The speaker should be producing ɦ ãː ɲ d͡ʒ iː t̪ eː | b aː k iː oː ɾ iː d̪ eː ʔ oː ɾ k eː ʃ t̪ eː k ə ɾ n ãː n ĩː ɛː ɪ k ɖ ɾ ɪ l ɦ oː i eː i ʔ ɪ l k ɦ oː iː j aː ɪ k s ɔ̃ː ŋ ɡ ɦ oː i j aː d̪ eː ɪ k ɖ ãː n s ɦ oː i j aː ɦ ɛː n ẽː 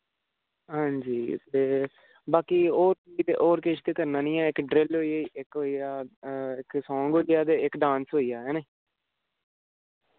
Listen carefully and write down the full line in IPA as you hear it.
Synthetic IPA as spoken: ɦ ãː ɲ d͡ʒ iː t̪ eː | b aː k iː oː ɾ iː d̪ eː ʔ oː ɾ k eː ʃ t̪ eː k ə ɾ n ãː n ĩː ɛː ɪ k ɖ ɾ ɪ l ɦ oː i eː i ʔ ɪ k ɦ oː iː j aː ɪ k s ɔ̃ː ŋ ɡ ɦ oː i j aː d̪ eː ɪ k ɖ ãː n s ɦ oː i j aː ɦ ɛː n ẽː